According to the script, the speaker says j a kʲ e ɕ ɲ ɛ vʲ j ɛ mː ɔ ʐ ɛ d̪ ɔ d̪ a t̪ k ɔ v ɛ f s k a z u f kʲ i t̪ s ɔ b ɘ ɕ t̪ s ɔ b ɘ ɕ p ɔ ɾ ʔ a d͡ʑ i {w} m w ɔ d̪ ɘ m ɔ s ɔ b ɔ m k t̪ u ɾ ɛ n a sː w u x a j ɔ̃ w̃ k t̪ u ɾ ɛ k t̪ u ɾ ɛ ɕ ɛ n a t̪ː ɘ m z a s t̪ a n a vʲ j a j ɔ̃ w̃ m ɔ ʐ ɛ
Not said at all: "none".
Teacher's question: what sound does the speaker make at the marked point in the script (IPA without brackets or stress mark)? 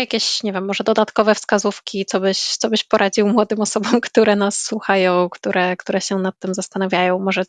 w